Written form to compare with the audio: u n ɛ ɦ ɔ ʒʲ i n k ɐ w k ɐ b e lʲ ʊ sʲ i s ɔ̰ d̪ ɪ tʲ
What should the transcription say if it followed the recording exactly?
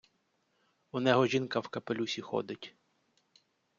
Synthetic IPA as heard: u n ɛ ɦ ɔ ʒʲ i n k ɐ w k ɐ p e lʲ u sʲ i x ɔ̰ d̪ ɪ tʲ